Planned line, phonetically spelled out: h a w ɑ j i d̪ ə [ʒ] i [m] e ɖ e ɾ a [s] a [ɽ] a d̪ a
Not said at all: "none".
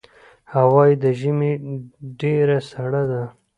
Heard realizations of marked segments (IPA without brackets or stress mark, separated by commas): ʒ, m, s, ɽ